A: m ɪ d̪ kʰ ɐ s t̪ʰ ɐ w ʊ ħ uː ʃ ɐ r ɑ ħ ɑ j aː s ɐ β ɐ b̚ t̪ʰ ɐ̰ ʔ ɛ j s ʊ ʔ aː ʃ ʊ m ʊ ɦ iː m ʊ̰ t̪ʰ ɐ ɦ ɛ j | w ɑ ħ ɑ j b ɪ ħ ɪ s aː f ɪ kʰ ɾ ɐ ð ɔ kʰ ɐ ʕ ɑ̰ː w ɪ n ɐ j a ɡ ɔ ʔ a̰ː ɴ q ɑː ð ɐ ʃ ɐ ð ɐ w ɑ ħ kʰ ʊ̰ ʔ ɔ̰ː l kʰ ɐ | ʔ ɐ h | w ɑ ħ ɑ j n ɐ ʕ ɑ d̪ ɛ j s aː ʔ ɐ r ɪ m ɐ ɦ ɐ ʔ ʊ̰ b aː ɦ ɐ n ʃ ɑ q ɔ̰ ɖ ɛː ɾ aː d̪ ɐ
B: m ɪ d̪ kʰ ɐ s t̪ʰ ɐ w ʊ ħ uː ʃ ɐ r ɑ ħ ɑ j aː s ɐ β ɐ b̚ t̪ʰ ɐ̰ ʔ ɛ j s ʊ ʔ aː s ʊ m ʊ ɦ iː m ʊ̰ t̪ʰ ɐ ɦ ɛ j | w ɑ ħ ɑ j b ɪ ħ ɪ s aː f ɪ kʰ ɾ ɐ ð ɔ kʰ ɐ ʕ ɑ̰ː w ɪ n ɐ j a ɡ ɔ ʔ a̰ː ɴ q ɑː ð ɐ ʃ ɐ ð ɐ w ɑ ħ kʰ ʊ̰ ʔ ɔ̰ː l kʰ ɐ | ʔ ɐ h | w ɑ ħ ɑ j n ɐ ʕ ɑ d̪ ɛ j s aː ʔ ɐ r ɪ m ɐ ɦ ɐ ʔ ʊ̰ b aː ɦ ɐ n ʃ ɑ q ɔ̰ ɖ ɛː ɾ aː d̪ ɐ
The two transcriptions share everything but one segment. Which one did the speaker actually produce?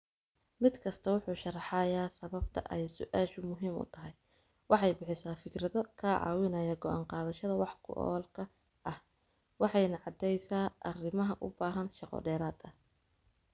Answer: A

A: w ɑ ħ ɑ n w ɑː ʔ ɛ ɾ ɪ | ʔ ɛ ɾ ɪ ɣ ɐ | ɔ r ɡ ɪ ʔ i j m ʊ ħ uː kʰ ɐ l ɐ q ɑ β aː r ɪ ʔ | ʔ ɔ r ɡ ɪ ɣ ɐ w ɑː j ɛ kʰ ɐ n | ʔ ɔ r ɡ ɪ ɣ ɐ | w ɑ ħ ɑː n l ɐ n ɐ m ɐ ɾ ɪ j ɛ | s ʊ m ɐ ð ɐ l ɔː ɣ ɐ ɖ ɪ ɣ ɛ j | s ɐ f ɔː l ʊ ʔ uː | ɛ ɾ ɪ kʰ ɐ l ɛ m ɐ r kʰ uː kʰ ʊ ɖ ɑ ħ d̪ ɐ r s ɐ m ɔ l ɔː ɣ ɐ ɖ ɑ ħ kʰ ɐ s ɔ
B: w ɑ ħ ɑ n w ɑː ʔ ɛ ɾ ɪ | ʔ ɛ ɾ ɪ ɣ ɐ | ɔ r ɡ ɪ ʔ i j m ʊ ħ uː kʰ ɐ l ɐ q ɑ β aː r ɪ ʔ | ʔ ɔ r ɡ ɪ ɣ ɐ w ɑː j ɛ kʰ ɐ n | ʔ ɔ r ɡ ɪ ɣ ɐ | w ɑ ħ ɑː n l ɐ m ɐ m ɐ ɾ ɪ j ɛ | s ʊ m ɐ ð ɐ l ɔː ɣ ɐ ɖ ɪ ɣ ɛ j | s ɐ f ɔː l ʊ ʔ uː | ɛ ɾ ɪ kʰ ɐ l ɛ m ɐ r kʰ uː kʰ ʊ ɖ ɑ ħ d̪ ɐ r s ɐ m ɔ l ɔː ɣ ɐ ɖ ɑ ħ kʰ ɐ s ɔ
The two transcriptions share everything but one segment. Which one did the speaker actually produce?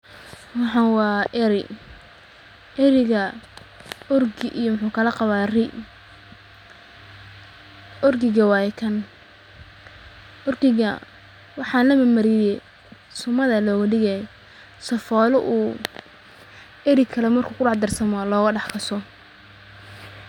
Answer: B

